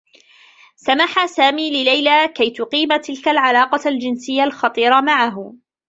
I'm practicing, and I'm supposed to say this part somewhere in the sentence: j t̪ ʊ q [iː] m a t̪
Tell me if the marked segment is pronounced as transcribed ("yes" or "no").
yes